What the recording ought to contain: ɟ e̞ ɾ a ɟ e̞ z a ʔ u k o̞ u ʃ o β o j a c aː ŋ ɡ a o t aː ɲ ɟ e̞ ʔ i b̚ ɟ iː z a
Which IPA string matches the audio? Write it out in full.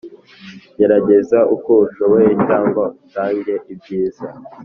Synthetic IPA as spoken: ɟ e̞ ɾ a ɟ e̞ z a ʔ u k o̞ u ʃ o β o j e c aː ŋ ɡ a u t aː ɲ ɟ e̞ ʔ i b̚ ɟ iː z a